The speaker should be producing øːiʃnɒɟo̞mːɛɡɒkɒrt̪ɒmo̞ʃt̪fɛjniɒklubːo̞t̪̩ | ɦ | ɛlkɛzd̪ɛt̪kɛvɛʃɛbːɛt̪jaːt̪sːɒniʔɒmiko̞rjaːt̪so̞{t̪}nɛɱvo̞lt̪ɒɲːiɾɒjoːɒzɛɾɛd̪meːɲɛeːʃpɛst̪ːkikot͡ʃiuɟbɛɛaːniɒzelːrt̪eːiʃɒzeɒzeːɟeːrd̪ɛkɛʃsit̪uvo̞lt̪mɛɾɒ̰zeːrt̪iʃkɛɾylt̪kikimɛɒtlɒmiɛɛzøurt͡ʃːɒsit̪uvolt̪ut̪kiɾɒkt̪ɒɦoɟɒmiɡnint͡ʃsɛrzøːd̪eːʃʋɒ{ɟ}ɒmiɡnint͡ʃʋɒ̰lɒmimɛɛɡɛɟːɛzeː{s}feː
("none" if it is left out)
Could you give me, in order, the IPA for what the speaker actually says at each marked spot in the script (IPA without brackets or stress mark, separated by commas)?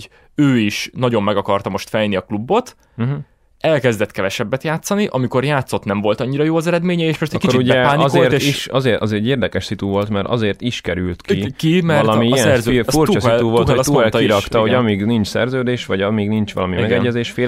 t̪, ɟ, ʃ